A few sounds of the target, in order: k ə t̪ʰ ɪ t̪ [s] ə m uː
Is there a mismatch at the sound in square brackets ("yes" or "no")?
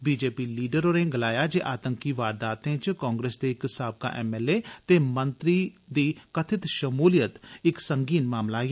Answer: yes